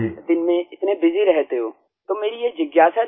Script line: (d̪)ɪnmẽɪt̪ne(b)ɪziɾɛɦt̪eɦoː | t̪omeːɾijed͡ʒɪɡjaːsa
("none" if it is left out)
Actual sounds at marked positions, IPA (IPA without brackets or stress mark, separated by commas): d̪, b